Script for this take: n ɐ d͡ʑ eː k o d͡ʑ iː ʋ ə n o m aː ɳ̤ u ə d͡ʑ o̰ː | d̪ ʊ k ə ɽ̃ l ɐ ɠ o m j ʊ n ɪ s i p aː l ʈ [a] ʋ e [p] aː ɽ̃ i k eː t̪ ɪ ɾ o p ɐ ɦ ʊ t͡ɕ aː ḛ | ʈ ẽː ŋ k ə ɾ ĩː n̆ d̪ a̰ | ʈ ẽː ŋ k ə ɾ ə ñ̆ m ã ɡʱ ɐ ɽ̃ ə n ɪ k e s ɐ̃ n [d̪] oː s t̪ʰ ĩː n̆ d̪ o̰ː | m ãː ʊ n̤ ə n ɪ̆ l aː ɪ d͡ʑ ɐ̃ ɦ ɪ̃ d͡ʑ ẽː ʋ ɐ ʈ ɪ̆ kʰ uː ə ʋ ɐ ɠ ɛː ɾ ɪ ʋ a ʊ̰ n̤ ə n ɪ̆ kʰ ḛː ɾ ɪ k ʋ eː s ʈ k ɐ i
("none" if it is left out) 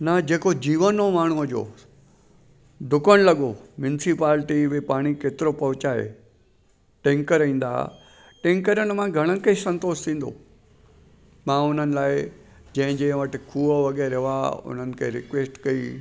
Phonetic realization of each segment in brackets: i, p, t̪

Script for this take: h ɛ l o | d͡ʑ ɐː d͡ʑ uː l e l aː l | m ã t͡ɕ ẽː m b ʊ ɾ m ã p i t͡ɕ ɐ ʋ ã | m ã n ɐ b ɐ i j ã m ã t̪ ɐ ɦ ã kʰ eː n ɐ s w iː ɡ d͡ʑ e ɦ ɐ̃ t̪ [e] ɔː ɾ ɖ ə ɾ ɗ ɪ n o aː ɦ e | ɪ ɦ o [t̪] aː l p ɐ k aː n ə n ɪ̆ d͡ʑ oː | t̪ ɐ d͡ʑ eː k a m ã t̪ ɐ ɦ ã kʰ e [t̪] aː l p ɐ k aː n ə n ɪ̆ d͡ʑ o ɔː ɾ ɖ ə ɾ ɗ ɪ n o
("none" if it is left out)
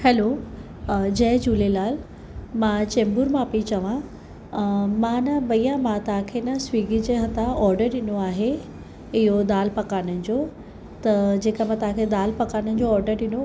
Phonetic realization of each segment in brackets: a, d̪, d̪

